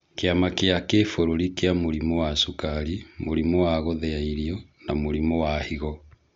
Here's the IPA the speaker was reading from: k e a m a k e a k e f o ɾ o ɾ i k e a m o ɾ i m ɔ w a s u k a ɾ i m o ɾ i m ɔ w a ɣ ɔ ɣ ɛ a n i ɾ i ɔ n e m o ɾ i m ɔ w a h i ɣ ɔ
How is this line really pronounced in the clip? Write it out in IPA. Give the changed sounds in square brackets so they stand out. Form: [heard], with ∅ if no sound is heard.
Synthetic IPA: k e a m a k e a k e f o ɾ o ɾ i k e a m o ɾ i m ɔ w a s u k a ɾ i m o ɾ i m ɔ w a ɣ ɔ [ð] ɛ a [∅] i ɾ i ɔ n [a] m o ɾ i m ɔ w a h i ɣ ɔ